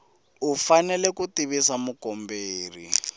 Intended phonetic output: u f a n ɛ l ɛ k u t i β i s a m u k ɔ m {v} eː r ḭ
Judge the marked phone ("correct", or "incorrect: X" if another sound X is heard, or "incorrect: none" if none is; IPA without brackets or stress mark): incorrect: b